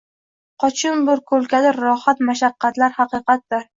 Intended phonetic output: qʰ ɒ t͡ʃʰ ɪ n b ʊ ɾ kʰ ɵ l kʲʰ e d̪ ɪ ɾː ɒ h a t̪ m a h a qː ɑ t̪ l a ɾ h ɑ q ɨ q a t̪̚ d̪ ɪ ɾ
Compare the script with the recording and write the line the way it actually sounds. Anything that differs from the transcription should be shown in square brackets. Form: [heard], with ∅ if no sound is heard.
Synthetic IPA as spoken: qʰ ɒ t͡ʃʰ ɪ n b ʊ ɾ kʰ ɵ l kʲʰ [a] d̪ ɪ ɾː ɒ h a t̪ m a [ʃ] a qː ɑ t̪ l a ɾ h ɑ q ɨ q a t̪̚ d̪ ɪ ɾ